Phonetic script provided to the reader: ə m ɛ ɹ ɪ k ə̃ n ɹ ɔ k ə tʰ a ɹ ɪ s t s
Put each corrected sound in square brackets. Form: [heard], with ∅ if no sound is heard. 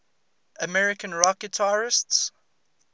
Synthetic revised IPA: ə m ɛ ɹ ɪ k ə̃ n ɹ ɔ k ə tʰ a ɹ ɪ s t s